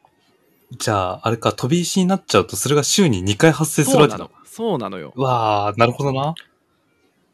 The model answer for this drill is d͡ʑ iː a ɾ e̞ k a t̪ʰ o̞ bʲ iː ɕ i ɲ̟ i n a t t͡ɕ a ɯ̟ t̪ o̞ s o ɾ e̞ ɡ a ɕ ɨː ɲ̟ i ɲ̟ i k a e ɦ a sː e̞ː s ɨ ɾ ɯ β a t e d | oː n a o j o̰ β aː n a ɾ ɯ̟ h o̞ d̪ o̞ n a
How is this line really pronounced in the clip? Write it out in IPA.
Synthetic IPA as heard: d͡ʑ aː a ɾ e̞ k a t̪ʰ o̞ bʲ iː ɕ i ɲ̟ i n a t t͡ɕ a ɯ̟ t̪ o̞ s o ɾ e̞ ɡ a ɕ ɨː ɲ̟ i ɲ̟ i k a i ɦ a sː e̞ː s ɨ ɾ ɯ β a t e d | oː n a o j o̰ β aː n a ɾ ɯ̟ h o̞ d̪ o̞ n a